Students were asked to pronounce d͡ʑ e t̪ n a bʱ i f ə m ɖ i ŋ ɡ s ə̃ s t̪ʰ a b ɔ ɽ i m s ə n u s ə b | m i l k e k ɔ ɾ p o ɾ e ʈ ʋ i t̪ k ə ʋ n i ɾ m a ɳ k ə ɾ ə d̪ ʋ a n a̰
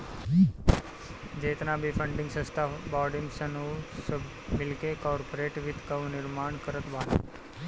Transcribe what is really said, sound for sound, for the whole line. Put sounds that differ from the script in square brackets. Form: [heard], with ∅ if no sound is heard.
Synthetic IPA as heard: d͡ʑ e t̪ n a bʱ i f ə [ɳ] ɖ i ŋ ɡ s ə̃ s t̪ʰ a b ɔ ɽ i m s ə n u s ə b | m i l k e k ɔ ɾ p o ɾ e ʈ ʋ i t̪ k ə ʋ n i ɾ m a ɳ k ə ɾ ə [t̪] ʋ a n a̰